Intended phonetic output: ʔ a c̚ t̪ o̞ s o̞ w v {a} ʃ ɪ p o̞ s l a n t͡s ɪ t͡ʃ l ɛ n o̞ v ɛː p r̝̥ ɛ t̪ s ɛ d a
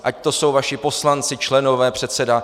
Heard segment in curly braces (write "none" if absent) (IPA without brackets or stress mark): a